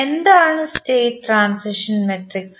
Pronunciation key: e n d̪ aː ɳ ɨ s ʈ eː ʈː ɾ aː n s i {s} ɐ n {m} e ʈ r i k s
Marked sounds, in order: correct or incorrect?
incorrect: ʂ, correct

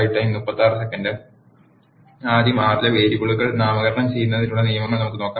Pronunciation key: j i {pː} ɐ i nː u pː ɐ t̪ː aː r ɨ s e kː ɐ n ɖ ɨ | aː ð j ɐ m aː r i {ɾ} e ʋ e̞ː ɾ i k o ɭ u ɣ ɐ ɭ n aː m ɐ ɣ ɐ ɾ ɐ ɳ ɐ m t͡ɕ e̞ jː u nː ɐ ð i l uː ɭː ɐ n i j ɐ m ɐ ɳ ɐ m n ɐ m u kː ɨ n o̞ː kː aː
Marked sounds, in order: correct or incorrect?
incorrect: ʈː, incorrect: l

